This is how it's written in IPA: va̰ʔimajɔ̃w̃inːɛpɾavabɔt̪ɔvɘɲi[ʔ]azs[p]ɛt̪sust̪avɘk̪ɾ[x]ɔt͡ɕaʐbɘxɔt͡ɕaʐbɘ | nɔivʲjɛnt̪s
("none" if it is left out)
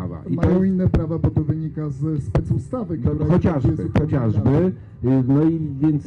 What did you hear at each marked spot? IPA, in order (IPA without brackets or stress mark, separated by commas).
k, p, x